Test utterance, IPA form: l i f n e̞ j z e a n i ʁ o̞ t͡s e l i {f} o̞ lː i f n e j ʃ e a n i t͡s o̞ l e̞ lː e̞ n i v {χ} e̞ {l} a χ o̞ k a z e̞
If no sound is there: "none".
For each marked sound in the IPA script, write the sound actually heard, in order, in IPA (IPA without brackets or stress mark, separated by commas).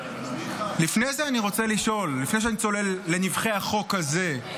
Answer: ʃ, χ, none